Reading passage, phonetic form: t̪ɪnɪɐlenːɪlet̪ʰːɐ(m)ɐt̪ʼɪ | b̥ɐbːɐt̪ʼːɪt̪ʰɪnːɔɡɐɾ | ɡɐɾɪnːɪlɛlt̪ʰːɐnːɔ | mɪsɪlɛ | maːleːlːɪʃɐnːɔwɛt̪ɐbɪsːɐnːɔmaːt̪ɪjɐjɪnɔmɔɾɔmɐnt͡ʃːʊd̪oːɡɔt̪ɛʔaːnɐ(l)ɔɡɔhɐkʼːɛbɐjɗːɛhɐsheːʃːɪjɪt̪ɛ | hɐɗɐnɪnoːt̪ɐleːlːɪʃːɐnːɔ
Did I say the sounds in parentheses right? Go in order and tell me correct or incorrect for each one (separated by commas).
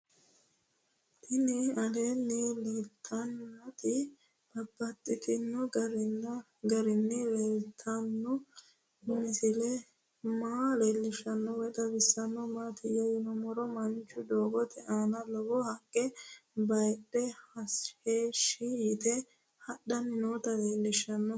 incorrect, correct